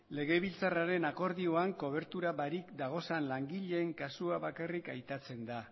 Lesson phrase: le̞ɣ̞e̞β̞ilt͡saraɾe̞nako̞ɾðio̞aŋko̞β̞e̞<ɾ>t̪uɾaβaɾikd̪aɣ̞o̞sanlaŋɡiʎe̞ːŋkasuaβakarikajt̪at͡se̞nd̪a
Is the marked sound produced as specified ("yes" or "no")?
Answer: yes